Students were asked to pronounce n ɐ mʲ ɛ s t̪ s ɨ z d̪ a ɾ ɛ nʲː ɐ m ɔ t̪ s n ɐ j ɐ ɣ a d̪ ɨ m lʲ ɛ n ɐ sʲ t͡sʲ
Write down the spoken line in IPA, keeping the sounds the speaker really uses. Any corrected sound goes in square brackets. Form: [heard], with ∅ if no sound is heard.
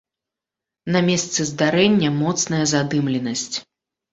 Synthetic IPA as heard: n ɐ mʲ ɛ s t̪ s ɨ z d̪ a ɾ ɛ nʲː ɐ m ɔ t̪ s n ɐ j ɐ [z] a d̪ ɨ m lʲ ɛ n ɐ sʲ t͡sʲ

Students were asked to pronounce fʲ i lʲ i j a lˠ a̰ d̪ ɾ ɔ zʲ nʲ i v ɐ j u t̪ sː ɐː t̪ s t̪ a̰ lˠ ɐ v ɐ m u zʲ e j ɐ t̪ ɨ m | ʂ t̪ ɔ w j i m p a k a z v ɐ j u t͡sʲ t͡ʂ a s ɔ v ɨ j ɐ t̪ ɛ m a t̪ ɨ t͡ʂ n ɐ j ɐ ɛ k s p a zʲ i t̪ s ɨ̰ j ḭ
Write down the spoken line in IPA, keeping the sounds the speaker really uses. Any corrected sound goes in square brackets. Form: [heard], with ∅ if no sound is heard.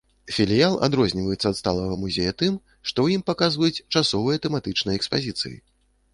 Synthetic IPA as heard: fʲ i lʲ i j a lˠ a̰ d̪ ɾ ɔ zʲ nʲ i v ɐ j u t̪ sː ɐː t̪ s t̪ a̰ lˠ ɐ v ɐ m u zʲ e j ɐ t̪ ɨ m | ʂ t̪ ɔ w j i m p a k a z v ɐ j u t͡sʲ t͡ʂ a s ɔ v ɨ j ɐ t̪ ɛ m a t̪ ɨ t͡ʂ n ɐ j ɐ ɛ k s p a zʲ i t̪ s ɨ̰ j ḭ

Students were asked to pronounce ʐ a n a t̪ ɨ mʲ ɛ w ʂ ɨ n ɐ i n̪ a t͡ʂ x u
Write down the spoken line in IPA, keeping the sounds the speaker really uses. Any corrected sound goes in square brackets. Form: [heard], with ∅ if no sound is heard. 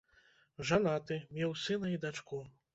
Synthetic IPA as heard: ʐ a n a t̪ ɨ mʲ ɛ w [s] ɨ n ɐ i [d̪] a t͡ʂ [k] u

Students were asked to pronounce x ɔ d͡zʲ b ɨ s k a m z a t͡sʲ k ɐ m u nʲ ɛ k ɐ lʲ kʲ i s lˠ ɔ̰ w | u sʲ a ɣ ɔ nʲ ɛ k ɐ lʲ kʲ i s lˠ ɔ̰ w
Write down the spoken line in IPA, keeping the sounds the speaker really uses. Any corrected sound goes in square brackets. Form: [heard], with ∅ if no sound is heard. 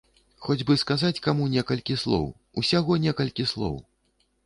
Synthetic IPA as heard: x ɔ d͡zʲ b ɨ s k a [∅] z a t͡sʲ k [a] m u nʲ ɛ k ɐ lʲ kʲ i s lˠ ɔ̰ w | u sʲ a ɣ ɔ nʲ ɛ k ɐ lʲ kʲ i s lˠ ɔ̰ w

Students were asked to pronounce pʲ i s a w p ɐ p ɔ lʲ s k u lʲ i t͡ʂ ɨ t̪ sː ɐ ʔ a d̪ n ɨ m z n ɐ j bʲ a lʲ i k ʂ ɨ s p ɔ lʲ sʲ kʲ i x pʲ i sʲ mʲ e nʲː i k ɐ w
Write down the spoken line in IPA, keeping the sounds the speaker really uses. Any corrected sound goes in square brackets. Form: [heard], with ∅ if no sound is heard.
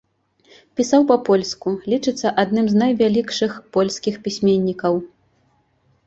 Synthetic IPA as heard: pʲ i s a w p ɐ p ɔ lʲ s k u lʲ i t͡ʂ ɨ t̪ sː ɐ ʔ a d̪ n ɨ m z n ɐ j [vʲ] a lʲ i k ʂ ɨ [x] p ɔ lʲ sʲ kʲ i x pʲ i sʲ mʲ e nʲː i k ɐ w

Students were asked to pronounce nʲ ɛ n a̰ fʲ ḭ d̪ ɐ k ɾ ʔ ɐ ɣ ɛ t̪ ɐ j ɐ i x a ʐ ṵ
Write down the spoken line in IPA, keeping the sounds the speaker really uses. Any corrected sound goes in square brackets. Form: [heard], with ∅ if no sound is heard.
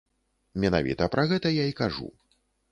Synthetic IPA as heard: [mʲ] ɛ n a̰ [vʲ] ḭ [t̪] ɐ [p] ɾ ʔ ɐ ɣ ɛ t̪ ɐ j [a] i [k] a ʐ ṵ

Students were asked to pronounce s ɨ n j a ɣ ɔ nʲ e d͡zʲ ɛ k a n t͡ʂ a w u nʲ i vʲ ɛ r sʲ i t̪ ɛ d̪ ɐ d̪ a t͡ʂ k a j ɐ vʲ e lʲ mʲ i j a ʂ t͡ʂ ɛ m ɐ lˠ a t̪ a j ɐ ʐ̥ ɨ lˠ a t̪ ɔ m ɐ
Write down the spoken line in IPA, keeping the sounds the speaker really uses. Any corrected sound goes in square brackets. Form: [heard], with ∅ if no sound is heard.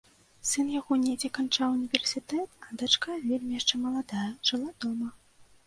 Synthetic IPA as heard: s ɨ n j a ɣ ɔ nʲ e d͡zʲ ɛ k a n t͡ʂ a w u nʲ i vʲ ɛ r sʲ i t̪ ɛ [t̪] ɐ d̪ a t͡ʂ k a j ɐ vʲ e lʲ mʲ i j a ʂ t͡ʂ ɛ m ɐ lˠ a [d̪] a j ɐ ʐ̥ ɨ lˠ a [d̪] ɔ m ɐ

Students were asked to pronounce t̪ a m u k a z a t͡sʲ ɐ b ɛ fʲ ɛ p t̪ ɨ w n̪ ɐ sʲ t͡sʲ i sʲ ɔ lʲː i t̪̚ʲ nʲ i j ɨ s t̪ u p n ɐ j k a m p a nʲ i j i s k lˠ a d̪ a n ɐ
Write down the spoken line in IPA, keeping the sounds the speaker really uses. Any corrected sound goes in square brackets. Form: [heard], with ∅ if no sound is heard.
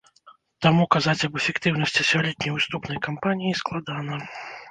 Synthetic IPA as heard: t̪ a m u k a z a t͡sʲ ɐ b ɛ fʲ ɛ [k] t̪ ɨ w n̪ ɐ sʲ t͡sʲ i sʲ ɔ [lʲ] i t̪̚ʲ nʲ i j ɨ s t̪ u p n ɐ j k a m p a nʲ i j i s k lˠ a d̪ a n ɐ

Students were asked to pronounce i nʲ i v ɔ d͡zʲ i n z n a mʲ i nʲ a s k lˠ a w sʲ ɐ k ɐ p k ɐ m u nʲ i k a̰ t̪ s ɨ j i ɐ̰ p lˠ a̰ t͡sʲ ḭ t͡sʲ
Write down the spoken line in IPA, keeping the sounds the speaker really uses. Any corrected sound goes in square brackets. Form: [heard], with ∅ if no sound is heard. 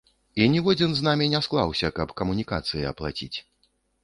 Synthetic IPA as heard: i nʲ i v ɔ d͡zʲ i n z n a mʲ i nʲ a s k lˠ a w sʲ ɐ k ɐ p k ɐ m u nʲ i k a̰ t̪ s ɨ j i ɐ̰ p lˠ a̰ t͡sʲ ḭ t͡sʲ

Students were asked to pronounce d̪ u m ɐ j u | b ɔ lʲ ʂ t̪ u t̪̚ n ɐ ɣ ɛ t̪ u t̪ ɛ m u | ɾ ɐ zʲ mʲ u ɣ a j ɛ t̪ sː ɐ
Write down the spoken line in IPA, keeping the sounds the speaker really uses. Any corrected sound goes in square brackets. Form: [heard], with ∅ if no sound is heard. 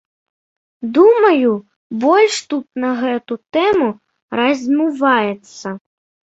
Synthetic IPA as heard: d̪ u m ɐ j u | b ɔ lʲ ʂ t̪ u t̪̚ n ɐ ɣ ɛ t̪ u t̪ ɛ m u | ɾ ɐ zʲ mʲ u [v] a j ɛ t̪ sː ɐ

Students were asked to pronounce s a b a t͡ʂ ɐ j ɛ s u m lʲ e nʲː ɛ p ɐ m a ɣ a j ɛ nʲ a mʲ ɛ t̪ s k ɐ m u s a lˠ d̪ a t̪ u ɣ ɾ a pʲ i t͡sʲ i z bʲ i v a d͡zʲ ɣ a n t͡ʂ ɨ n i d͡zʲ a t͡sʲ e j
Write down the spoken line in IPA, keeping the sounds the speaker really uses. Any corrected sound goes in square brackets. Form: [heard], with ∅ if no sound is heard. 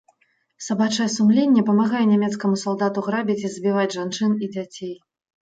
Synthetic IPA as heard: s a b a t͡ʂ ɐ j ɛ s u m lʲ e nʲː ɛ p ɐ m a ɣ a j ɛ nʲ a mʲ ɛ t̪ s k ɐ m u s a lˠ d̪ a t̪ u ɣ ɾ a [bʲ] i t͡sʲ i z bʲ i v a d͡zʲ [ʐ] a n t͡ʂ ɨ n i d͡zʲ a t͡sʲ e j

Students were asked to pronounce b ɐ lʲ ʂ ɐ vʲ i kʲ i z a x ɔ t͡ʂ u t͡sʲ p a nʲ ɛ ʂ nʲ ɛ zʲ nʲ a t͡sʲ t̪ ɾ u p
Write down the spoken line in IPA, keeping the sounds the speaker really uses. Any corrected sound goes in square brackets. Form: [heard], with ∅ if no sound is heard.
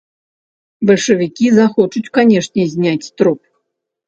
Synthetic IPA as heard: b ɐ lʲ ʂ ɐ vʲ i kʲ i z a x ɔ t͡ʂ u t͡sʲ [k] a nʲ ɛ ʂ nʲ ɛ zʲ nʲ a t͡sʲ t̪ ɾ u p

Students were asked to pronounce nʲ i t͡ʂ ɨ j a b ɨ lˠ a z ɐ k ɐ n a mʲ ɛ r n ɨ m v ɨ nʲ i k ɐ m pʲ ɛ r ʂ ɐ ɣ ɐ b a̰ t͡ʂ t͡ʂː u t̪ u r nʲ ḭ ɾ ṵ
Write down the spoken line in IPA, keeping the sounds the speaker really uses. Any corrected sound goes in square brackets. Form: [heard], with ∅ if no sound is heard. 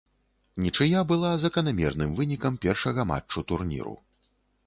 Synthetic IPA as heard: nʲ i t͡ʂ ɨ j a b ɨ lˠ a z ɐ k ɐ n a mʲ ɛ r n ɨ m v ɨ nʲ i k ɐ m pʲ ɛ r ʂ ɐ ɣ ɐ [m] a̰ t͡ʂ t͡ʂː u t̪ u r nʲ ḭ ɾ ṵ

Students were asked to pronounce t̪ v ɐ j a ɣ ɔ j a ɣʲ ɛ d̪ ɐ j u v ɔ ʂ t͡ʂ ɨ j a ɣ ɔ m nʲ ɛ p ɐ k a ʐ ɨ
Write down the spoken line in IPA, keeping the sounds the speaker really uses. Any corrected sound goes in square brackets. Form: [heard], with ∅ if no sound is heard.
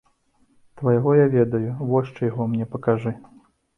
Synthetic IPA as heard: t̪ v ɐ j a ɣ ɔ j a [vʲ] ɛ d̪ ɐ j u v ɔ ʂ t͡ʂ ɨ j a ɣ ɔ m nʲ ɛ p ɐ k a ʐ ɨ

